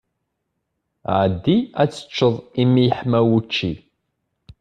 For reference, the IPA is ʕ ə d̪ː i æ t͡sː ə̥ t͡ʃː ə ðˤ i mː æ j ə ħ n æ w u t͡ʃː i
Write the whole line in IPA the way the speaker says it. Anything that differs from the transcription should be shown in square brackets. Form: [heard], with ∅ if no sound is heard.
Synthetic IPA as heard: ʕ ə d̪ː i æ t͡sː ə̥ t͡ʃː ə ðˤ i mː [i] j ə ħ [m] æ w u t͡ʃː i